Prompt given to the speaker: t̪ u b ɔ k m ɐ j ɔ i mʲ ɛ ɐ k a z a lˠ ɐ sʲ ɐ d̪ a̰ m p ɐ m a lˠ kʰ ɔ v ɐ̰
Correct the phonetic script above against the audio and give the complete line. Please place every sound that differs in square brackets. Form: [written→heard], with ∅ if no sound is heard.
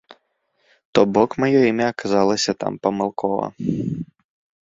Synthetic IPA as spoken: t̪ [u→ɔ] b ɔ k m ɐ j ɔ i mʲ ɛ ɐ k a z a lˠ ɐ sʲ ɐ [d̪→t̪] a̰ m p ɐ m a lˠ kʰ ɔ v ɐ̰

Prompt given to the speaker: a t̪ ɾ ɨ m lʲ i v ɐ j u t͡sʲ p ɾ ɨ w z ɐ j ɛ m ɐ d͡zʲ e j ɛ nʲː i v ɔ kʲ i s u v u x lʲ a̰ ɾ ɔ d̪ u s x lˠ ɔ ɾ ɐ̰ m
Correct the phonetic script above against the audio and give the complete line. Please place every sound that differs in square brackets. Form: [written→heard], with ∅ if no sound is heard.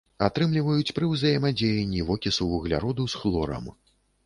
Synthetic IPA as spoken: a t̪ ɾ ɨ m lʲ i v ɐ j u t͡sʲ p ɾ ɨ w z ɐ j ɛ m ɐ d͡zʲ e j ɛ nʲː i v ɔ kʲ i s u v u [x→ɣ] lʲ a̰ ɾ ɔ d̪ u s x lˠ ɔ ɾ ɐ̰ m

